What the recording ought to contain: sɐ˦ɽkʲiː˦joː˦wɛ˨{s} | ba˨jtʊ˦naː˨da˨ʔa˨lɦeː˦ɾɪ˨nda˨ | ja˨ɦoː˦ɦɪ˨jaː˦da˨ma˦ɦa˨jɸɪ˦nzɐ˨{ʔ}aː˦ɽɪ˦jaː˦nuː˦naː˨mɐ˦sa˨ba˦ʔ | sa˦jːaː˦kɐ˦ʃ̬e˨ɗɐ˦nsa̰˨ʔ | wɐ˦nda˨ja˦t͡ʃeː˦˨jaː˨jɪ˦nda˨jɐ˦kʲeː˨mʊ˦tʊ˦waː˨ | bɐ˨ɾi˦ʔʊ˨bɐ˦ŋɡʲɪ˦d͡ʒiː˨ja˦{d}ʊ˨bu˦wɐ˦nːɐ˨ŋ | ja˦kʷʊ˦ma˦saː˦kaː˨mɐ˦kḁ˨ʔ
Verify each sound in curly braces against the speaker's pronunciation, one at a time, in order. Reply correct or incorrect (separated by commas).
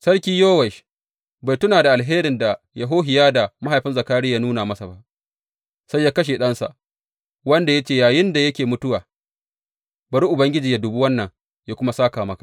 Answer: incorrect, incorrect, correct